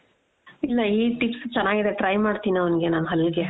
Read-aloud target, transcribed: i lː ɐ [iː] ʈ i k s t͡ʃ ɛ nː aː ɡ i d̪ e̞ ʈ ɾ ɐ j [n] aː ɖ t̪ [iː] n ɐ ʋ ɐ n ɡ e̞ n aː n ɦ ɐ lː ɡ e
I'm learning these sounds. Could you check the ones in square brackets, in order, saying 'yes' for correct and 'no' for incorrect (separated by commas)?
yes, no, yes